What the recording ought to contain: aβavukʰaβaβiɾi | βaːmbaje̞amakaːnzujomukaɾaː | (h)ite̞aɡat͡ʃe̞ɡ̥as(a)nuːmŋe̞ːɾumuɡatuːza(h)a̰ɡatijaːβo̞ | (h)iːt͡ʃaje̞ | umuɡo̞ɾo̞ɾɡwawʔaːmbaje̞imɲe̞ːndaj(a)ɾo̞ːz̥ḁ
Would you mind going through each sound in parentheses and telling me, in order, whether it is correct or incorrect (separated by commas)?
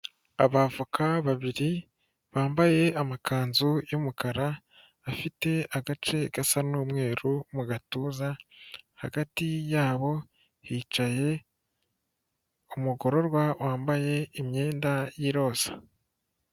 incorrect, correct, correct, correct, incorrect